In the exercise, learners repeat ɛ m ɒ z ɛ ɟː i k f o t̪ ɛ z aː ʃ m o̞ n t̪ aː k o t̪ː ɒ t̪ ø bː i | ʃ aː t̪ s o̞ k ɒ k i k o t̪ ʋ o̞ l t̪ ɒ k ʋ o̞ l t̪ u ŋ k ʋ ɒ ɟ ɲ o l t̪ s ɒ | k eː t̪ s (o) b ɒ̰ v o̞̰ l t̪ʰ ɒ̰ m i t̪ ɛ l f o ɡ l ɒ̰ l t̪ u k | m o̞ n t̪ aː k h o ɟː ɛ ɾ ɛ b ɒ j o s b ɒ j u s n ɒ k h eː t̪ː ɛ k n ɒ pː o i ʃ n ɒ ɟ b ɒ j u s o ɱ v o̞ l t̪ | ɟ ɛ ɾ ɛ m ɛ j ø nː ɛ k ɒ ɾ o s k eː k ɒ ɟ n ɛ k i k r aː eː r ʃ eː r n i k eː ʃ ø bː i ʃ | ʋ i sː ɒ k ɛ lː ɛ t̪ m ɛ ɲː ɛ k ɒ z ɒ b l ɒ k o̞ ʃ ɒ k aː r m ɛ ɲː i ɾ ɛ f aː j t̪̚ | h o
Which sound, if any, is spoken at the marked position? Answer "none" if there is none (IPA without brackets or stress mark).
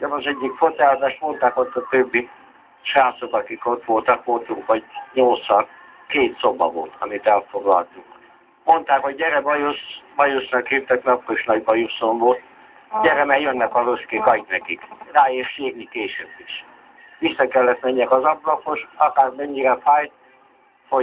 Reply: o